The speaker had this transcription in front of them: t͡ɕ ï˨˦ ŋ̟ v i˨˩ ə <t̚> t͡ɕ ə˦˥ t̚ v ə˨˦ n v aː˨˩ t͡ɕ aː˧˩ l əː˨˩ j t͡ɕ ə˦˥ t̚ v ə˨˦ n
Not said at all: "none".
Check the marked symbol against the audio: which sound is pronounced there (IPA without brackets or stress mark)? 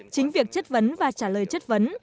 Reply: k̚